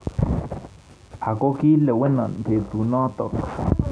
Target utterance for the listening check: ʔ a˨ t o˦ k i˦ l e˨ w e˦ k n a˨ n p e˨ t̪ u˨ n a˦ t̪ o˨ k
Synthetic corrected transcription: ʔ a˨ k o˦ k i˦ l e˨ w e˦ n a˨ n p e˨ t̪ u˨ n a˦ t̪ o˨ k